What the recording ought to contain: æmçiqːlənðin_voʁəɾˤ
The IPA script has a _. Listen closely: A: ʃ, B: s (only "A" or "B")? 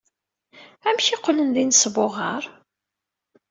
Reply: B